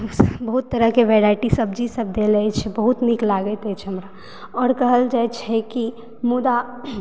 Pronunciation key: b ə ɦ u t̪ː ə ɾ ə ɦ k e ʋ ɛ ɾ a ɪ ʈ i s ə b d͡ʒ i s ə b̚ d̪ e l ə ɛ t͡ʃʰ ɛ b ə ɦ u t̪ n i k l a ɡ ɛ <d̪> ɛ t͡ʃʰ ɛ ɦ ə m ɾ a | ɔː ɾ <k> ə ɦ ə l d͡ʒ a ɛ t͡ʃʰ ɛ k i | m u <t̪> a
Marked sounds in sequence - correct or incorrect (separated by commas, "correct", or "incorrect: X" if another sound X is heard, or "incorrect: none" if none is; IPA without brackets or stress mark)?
incorrect: t̪, correct, incorrect: d̪